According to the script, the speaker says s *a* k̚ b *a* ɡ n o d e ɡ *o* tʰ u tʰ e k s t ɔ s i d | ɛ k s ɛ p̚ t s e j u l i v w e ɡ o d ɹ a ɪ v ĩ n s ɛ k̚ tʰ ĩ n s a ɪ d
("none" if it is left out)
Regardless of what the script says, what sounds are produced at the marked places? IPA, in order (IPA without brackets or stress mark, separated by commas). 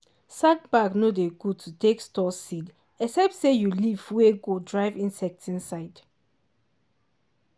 a, a, u